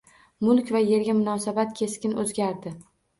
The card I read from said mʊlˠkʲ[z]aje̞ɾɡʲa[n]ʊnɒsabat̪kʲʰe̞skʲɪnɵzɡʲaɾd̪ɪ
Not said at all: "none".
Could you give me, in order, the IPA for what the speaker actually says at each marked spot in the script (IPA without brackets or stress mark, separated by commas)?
v, m